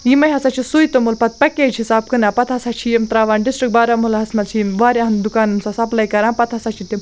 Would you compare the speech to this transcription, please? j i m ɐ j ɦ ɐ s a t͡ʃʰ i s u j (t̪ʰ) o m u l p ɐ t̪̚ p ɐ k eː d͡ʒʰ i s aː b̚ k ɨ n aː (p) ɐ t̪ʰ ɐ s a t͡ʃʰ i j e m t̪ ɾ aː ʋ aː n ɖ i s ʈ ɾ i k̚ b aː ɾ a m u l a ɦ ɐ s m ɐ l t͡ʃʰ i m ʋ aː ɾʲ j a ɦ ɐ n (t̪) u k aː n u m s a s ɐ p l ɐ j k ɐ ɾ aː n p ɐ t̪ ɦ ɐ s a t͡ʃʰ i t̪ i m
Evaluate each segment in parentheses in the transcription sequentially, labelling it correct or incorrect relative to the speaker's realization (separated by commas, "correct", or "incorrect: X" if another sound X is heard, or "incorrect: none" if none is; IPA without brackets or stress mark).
incorrect: t̪, correct, incorrect: d̪